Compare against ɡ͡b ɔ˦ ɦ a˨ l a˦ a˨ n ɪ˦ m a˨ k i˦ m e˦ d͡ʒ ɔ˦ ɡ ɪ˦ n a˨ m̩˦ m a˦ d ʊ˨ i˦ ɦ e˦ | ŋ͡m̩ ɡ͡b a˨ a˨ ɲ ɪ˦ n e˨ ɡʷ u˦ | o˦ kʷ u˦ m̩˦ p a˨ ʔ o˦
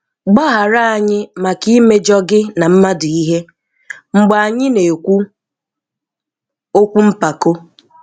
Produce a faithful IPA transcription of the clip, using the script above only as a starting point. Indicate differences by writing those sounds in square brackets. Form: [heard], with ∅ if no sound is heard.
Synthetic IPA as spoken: ɡ͡b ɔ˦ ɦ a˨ [ɾ] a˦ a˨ [ɲ] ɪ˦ m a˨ k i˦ m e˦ d͡ʒ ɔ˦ ɡ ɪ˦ n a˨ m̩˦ m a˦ d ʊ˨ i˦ ɦ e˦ | ŋ͡m̩ ɡ͡b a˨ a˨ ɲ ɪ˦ n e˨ [kʷ] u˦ | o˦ kʷ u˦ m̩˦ p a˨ [k] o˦